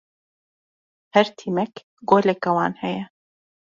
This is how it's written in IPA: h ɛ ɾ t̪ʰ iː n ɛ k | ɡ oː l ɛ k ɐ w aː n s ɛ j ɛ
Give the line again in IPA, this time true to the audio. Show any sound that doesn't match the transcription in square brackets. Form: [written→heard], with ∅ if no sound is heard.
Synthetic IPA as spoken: h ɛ ɾ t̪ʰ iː [n→m] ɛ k | ɡ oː l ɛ k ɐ w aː n [s→h] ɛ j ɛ